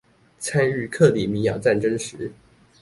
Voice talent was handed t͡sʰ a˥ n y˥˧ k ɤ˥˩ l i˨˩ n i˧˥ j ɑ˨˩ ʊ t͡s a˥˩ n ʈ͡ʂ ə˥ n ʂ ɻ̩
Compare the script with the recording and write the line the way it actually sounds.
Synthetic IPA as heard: t͡sʰ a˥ n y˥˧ kʰ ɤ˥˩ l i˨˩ m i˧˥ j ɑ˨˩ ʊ t͡s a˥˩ n ʈ͡ʂ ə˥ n ʂ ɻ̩